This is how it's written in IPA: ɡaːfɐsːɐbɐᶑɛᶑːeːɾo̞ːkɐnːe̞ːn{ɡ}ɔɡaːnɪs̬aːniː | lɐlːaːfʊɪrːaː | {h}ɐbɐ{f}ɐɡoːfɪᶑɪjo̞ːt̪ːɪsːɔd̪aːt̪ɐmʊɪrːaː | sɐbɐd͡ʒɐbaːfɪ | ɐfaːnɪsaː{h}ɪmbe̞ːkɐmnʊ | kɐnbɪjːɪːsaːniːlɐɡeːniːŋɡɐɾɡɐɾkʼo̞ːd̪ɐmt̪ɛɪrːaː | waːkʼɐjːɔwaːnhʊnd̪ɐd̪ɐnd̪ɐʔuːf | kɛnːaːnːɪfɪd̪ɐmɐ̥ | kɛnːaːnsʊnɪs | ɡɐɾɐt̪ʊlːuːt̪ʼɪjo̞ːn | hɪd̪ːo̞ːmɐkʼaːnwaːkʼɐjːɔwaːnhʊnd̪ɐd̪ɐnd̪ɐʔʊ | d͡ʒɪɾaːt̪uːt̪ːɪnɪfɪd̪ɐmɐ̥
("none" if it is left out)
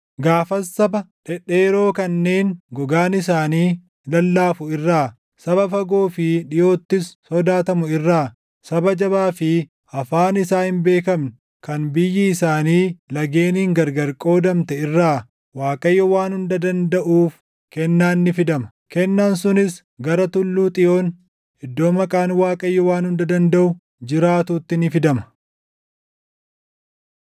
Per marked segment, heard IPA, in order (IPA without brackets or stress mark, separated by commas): ɡ, s, f, h